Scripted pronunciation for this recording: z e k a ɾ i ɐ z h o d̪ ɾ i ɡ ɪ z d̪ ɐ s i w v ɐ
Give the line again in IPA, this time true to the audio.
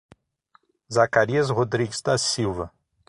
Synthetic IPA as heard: z a k a ɾ i ɐ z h o d̪ ɾ i ɡ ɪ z d̪ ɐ s i w v ɐ